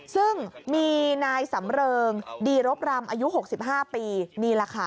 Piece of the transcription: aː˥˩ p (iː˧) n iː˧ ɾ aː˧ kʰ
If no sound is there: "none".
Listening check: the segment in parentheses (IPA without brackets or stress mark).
iː˧